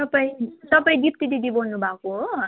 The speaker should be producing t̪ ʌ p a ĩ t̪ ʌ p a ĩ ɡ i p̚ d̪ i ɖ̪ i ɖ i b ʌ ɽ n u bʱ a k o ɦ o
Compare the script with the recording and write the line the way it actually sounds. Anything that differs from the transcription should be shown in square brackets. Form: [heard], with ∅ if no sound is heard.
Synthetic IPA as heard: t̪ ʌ p a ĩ t̪ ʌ p a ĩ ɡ i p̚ [t̪] i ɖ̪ i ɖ i b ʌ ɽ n u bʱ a k o ɦ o